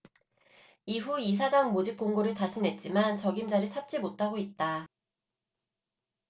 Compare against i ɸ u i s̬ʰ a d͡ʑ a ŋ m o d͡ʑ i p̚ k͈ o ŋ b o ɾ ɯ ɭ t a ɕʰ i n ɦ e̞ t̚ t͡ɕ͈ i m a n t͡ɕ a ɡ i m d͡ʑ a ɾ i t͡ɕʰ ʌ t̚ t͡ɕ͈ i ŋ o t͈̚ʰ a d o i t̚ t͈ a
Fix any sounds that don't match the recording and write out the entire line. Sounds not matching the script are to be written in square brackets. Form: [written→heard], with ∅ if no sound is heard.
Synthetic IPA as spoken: i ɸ u i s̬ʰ a d͡ʑ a ŋ m o d͡ʑ i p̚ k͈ o ŋ [b→ɡ] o ɾ ɯ ɭ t a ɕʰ i n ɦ e̞ t̚ t͡ɕ͈ i m a n t͡ɕ [a→ʌ] ɡ i m d͡ʑ a ɾ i t͡ɕʰ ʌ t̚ t͡ɕ͈ i [ŋ→m] o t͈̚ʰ a [d→ɡ] o i t̚ t͈ a